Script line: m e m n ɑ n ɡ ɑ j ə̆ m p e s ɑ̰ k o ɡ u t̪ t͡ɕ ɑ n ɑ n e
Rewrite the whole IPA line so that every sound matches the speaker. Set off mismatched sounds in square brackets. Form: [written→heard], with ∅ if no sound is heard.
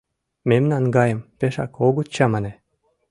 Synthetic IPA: m e m n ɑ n ɡ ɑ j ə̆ m p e [s→ʃ] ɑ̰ k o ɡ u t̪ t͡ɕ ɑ [n→m] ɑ n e